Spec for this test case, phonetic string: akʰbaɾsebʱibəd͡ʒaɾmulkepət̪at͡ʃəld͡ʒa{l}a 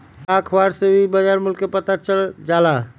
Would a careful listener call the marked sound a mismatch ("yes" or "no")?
no